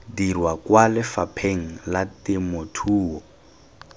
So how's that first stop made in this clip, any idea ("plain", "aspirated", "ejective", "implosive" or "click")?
plain